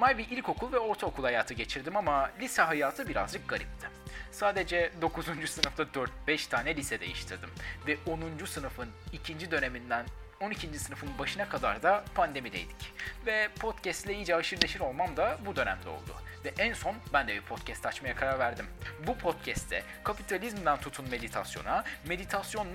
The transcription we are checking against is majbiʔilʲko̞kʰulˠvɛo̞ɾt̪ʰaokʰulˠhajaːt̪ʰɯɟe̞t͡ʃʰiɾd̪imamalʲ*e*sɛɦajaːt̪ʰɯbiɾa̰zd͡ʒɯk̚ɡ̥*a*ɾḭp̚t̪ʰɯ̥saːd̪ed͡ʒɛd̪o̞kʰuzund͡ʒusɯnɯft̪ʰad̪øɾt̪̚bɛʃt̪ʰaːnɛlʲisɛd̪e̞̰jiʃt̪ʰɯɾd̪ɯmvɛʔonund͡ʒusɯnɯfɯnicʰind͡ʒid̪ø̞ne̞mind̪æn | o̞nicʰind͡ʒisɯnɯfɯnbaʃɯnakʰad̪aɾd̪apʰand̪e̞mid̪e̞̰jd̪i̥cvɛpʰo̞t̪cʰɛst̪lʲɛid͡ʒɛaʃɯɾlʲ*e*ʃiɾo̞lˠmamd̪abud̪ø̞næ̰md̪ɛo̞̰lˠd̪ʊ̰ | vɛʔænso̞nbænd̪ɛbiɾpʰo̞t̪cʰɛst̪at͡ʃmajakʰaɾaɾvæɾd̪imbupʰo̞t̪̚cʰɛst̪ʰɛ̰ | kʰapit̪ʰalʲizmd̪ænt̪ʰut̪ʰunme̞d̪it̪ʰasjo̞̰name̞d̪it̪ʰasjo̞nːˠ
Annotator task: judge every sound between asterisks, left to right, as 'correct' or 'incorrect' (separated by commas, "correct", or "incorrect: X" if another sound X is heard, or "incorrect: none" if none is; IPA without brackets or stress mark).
incorrect: i, correct, correct